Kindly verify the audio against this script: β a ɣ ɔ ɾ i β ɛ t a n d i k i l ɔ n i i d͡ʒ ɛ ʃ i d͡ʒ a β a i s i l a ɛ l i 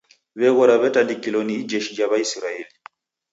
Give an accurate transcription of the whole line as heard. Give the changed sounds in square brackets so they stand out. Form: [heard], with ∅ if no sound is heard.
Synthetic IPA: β [ɛ] ɣ ɔ ɾ [a] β ɛ t a n d i k i l ɔ n i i d͡ʒ ɛ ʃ i d͡ʒ a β a i s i [ɾ] a ɛ l i